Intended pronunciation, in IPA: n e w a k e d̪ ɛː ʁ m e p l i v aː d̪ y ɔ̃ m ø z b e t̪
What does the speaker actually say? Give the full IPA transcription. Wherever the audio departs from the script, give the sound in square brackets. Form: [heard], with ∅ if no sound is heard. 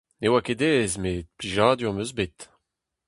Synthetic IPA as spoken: n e w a k e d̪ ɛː [z] m e p l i [ʒ] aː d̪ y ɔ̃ m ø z b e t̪